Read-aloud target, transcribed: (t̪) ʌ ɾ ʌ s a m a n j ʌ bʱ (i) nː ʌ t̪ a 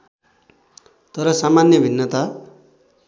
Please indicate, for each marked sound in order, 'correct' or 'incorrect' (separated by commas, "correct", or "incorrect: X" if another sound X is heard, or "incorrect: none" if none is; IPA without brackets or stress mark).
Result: correct, correct